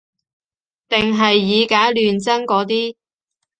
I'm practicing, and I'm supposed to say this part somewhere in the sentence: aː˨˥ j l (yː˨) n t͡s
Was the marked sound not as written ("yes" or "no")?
no